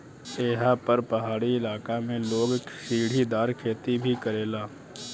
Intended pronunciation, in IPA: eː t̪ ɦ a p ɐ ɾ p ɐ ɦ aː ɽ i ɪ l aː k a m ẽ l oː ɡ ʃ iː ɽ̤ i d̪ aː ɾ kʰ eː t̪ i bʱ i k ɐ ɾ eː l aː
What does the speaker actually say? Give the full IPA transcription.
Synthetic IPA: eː ɦ a p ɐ ɾ p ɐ ɦ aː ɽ i ɪ l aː k a m ẽ l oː ɡ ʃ iː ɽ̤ i d̪ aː ɾ kʰ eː t̪ i bʱ i k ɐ ɾ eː l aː